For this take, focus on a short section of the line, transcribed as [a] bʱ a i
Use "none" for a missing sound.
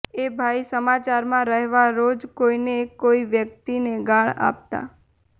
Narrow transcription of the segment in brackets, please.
e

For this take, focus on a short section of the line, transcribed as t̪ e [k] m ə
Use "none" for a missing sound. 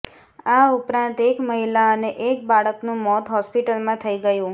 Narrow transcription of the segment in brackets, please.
k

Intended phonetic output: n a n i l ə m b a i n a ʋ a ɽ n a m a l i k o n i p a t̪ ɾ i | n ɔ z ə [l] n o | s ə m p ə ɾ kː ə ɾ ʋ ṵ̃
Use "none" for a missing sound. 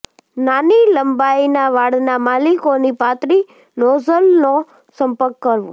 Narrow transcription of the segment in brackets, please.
l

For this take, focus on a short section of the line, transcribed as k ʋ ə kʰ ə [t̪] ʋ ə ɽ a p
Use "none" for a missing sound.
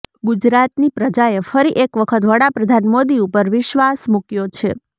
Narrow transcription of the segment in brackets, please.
t̪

